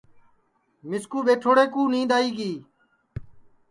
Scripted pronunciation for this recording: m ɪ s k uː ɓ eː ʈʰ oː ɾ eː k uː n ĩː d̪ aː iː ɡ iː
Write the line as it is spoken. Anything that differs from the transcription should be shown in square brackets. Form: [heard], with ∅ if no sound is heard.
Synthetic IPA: m ɪ s k uː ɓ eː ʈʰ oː [ɽ] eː k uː n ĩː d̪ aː iː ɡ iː